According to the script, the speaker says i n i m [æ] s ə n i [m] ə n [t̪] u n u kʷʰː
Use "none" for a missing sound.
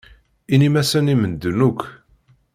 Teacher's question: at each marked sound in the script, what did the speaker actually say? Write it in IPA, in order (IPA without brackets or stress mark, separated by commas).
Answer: æ, m, d̪